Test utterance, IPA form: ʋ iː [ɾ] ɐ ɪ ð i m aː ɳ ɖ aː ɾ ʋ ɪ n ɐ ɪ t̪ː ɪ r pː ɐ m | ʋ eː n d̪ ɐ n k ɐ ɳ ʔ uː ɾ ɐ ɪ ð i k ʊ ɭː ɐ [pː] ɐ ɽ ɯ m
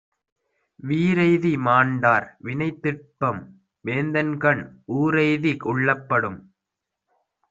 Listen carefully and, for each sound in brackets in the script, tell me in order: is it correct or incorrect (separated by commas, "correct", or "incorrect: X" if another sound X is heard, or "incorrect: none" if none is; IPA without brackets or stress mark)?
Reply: correct, correct